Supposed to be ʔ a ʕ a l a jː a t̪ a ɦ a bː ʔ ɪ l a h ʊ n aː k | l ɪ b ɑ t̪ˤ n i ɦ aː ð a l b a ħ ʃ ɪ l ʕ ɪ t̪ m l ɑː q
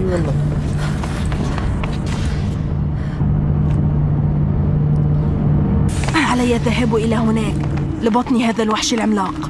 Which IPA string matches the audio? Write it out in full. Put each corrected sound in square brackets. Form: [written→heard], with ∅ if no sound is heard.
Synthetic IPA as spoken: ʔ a ʕ a l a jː a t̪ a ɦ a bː ʔ ɪ l a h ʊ n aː k | l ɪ b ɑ t̪ˤ n i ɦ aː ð a l [b→w] a ħ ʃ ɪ l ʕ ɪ [t̪→∅] m l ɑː q